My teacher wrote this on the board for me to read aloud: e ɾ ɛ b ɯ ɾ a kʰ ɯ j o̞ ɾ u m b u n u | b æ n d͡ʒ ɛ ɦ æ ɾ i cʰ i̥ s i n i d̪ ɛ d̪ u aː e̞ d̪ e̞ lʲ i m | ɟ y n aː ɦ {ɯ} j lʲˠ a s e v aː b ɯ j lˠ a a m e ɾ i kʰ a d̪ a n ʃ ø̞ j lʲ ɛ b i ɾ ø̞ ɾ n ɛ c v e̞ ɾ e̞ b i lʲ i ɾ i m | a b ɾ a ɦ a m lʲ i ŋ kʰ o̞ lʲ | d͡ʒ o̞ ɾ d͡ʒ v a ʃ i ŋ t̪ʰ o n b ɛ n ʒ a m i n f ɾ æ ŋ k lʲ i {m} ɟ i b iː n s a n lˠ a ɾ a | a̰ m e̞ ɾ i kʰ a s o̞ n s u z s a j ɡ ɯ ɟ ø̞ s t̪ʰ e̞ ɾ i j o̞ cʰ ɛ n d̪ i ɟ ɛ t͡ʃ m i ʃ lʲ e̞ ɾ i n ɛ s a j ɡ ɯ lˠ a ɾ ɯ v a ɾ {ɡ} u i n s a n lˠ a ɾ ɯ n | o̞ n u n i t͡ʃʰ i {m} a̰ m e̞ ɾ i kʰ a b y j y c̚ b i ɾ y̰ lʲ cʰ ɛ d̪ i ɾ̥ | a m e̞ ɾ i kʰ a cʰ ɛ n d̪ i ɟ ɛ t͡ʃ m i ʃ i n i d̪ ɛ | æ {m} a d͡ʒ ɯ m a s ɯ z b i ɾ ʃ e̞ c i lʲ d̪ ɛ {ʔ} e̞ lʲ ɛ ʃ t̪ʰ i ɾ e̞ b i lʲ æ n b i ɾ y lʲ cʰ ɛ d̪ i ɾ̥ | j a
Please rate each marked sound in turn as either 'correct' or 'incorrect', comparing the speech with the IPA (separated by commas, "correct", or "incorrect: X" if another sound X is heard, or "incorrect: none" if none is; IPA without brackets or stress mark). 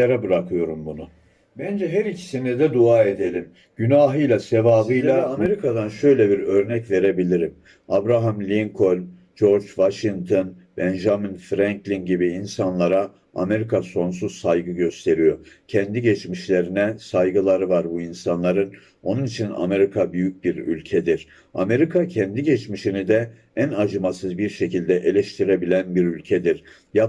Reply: correct, incorrect: n, incorrect: b, incorrect: n, incorrect: n, correct